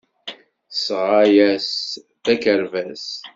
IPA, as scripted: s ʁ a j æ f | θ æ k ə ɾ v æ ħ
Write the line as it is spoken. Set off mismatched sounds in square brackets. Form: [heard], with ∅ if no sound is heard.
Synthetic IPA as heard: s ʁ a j æ [s] | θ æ k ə ɾ v æ [s]

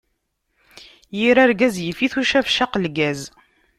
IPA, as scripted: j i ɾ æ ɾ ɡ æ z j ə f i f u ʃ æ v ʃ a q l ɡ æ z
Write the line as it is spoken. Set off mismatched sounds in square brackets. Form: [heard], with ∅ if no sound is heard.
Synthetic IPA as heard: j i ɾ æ ɾ ɡ æ z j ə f i [θ] u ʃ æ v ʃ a q l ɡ æ z

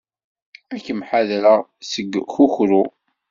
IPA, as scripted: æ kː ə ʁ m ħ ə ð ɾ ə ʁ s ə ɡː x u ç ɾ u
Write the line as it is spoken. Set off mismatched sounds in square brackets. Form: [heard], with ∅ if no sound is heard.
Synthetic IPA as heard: æ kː ə [∅] m ħ [a] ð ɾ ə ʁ s ə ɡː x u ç ɾ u

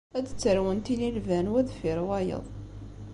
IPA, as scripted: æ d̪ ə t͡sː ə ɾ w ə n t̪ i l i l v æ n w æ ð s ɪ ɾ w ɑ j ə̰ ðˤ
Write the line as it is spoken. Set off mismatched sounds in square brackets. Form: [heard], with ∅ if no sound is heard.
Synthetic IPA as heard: æ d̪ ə t͡sː ə ɾ w ə n t̪ i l i l v æ n w æ ð [f] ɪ ɾ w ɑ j ə̰ ðˤ

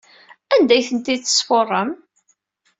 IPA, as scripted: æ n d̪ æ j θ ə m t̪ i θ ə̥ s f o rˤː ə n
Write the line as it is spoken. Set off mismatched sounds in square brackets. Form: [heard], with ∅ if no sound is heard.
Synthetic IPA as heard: æ n d̪ æ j θ ə [n] t̪ i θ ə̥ s f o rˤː ə [m]

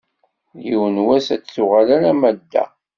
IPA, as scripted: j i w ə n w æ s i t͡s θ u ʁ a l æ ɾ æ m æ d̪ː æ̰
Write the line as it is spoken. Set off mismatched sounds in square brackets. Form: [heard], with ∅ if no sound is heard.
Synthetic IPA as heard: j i w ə n w æ s [æ] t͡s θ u ʁ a l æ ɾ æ m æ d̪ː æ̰

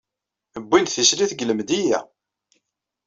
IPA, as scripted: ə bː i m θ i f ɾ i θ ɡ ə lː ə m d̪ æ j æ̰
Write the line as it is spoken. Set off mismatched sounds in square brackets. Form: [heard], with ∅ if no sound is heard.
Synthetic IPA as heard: ə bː i [n] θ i [s] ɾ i θ ɡ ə [l] ə m d̪ [i] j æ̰

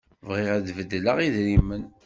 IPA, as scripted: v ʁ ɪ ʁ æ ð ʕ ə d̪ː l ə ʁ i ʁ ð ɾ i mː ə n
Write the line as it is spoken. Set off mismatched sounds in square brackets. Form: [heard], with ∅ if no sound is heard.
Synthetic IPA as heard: v ʁ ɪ ʁ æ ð [v] ə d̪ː l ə ʁ i [∅] ð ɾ i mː ə n

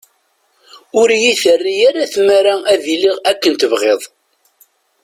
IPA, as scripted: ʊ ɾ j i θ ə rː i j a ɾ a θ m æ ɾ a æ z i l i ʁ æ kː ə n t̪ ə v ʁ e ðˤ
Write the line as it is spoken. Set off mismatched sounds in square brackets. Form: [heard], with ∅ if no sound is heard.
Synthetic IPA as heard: ʊ ɾ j i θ ə rː i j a ɾ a θ m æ ɾ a æ [ð] i l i ʁ æ kː ə n t̪ ə v ʁ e ðˤ

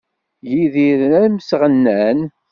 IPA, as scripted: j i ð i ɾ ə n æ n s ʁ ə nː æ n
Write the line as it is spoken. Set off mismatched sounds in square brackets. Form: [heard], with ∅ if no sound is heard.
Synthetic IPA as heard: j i ð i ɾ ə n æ [m] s ʁ ə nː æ n

